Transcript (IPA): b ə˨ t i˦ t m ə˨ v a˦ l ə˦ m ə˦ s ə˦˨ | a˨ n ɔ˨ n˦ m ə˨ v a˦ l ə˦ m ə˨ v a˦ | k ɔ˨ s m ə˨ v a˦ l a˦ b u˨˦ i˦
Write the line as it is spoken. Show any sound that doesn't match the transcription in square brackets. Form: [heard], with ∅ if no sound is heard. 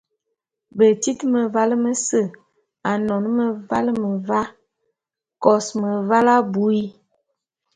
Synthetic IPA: b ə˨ t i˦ t m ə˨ v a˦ l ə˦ m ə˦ s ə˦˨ | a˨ n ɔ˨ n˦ m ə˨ v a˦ l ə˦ m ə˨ v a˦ | k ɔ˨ s m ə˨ v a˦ l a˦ b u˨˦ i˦